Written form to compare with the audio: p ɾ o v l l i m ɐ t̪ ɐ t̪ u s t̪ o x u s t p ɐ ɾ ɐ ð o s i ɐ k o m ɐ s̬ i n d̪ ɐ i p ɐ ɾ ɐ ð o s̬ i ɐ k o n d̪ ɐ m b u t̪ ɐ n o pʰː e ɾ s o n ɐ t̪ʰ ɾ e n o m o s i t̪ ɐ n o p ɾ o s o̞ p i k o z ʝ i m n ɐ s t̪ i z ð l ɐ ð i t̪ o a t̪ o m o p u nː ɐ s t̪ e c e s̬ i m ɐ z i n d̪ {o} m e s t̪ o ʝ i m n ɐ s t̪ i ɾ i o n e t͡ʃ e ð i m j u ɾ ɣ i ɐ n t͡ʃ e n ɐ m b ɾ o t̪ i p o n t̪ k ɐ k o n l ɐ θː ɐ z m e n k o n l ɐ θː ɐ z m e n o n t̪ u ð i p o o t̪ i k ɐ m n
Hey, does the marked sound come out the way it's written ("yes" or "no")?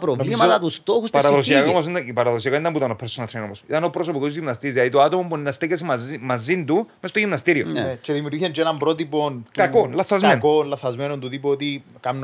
no